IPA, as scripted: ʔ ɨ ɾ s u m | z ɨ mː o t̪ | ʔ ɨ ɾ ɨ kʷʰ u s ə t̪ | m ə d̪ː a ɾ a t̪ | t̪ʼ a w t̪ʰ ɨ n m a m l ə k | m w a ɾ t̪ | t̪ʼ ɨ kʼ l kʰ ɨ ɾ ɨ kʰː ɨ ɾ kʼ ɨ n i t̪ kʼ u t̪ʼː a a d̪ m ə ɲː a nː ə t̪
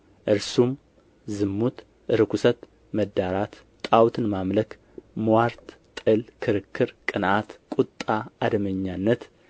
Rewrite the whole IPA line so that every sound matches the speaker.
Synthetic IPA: ʔ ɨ ɾ s u m | z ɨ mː u t̪ | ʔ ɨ ɾ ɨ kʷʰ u s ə t̪ | m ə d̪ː a ɾ a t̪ | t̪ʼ a w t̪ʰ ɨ n m a m l ə k | m w a ɾ t̪ | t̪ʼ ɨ l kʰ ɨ ɾ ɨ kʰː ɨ ɾ kʼ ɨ n a t̪ kʼ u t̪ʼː a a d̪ m ə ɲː a nː ə t̪